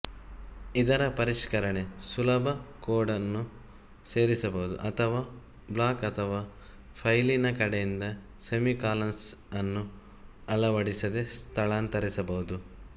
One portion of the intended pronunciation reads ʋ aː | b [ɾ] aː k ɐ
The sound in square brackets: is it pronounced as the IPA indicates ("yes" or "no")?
no